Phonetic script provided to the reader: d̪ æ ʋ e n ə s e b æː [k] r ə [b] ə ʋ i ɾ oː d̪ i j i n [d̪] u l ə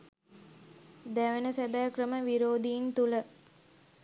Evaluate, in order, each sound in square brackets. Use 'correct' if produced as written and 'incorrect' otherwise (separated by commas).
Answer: correct, incorrect, incorrect